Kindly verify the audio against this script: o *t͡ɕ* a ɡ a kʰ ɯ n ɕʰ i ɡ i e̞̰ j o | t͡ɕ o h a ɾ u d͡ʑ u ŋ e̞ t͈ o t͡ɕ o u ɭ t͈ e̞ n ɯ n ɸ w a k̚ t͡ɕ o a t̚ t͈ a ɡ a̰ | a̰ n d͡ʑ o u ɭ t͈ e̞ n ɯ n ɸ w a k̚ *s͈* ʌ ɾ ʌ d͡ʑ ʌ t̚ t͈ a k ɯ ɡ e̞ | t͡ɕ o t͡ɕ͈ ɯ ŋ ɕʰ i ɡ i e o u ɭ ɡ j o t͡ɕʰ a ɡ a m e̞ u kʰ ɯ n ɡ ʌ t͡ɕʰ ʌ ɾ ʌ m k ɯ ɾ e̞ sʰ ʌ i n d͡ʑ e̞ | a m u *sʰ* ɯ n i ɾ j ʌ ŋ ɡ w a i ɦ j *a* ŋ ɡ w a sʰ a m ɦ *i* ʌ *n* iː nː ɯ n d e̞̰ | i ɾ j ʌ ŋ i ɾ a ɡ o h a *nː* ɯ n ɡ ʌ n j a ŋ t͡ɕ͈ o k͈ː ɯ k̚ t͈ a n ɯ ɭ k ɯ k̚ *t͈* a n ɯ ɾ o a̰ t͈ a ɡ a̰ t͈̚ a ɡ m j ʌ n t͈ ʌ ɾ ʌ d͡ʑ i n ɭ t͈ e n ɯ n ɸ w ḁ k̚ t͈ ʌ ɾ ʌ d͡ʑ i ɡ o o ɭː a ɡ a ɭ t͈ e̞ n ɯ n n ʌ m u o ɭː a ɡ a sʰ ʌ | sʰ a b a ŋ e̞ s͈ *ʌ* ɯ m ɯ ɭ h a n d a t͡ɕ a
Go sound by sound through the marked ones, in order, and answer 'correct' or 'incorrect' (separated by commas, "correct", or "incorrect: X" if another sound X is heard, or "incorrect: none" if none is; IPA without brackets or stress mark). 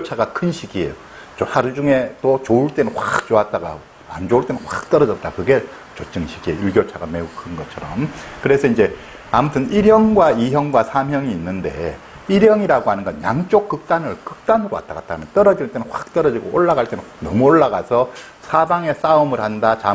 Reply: incorrect: t͡ɕʰ, incorrect: t͈, incorrect: tʰ, incorrect: ʌ, incorrect: j, incorrect: ŋ, incorrect: n, correct, incorrect: a